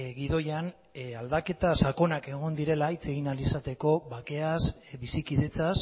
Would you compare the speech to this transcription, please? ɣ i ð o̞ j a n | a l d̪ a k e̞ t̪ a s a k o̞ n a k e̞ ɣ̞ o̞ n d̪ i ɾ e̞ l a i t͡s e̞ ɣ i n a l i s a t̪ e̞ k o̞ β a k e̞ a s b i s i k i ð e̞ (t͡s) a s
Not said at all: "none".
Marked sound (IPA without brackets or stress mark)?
t͡s